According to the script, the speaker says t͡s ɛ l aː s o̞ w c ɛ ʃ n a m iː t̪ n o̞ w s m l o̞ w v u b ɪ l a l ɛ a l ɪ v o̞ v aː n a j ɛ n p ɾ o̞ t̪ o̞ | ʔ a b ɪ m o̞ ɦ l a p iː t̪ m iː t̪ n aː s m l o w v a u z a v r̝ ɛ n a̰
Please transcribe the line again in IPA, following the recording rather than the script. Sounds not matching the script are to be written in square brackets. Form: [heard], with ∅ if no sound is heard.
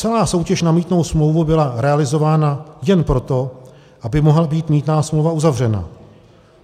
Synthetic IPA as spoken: t͡s ɛ l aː s o̞ w c ɛ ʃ n a m iː t̪ n o̞ w s m l o̞ w v u b ɪ l a [ɾ] ɛ a l ɪ [z] o̞ v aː n a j ɛ n p ɾ o̞ t̪ o̞ | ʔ a b ɪ m o̞ ɦ l a [b] iː t̪ m iː t̪ n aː s m l o w v a u z a v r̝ ɛ n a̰